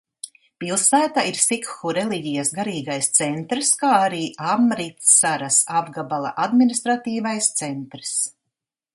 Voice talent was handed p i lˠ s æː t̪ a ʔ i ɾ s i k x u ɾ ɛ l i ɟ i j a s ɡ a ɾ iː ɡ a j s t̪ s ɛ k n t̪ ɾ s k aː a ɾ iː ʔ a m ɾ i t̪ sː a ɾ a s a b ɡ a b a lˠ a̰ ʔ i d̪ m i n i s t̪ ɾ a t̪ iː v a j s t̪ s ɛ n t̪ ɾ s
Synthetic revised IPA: p i lˠ s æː t̪ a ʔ i ɾ s i k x u ɾ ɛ l i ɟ i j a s ɡ a ɾ iː ɡ a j s t̪ s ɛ n t̪ ɾ s k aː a ɾ iː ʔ a m ɾ i t̪ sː a ɾ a s a b ɡ a b a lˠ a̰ ʔ a d̪ m i n i s t̪ ɾ a t̪ iː v a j s t̪ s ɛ n t̪ ɾ s